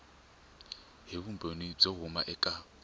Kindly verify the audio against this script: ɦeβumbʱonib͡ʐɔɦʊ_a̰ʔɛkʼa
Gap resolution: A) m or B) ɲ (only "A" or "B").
A